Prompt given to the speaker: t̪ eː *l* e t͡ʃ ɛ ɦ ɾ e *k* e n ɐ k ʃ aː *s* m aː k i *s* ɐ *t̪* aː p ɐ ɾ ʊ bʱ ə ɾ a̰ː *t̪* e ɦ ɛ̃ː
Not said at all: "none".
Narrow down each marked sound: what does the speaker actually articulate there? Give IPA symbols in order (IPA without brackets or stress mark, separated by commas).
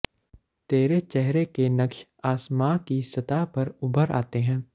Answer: ɾ, k, s, s, t̪, t̪